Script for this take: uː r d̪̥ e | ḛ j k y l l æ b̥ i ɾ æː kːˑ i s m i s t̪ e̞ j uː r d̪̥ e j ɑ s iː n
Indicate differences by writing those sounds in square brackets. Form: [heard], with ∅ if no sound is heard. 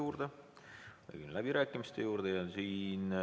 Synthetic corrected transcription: uː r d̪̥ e | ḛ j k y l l æ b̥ i ɾ æː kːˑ i [∅] m i s t̪ e̞ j uː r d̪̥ e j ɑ s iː n